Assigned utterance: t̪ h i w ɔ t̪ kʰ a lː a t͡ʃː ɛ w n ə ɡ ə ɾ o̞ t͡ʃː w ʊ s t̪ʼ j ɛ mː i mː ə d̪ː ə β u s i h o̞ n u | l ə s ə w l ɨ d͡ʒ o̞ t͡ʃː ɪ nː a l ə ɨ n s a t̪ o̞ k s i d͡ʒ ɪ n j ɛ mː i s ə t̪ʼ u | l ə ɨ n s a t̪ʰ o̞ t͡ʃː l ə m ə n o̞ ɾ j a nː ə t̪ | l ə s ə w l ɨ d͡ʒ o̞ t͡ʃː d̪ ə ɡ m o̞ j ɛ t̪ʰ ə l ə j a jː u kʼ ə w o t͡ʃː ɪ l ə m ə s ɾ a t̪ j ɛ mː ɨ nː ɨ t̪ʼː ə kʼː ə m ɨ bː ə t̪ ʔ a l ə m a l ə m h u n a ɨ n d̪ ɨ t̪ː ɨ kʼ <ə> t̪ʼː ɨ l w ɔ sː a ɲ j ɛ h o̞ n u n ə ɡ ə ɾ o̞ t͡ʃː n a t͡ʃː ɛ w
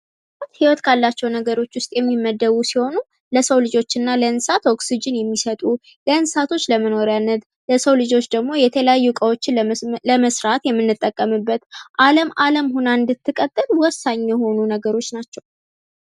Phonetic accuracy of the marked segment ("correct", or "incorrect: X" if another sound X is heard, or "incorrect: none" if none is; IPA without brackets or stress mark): correct